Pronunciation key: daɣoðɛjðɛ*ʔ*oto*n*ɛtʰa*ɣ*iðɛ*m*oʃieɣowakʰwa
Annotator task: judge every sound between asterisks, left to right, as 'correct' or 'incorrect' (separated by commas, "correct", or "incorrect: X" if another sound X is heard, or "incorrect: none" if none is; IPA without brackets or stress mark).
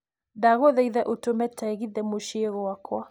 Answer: correct, incorrect: m, correct, correct